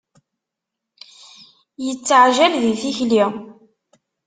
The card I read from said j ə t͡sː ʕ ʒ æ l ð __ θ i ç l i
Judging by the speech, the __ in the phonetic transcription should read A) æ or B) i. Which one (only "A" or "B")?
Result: B